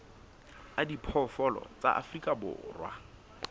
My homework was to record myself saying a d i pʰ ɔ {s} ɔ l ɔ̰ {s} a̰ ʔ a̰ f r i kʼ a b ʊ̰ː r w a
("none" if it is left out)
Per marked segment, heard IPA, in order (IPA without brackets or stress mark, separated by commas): f, t͡s